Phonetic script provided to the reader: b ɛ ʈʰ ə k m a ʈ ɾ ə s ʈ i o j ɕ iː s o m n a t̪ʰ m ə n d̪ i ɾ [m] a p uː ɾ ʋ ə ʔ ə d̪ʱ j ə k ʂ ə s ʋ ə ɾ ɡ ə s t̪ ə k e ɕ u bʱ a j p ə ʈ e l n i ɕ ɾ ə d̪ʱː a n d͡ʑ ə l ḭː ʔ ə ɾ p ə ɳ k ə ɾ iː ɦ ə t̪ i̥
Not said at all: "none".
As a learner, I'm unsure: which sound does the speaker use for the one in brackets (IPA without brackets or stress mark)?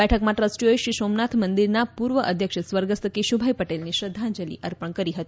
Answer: n